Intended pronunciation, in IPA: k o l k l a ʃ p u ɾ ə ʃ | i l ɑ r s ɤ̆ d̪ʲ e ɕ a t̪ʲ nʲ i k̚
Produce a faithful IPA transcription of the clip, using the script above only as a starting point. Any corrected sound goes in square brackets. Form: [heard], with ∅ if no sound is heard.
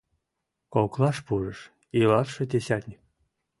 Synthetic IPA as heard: k o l k l [ɑ] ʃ p u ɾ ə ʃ | i l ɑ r [ʃ] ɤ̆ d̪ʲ e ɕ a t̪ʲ nʲ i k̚